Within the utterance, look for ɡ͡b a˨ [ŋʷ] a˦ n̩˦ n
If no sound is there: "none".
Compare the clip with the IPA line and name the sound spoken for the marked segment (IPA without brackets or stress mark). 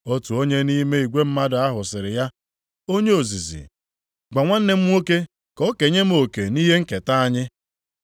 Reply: ŋʷ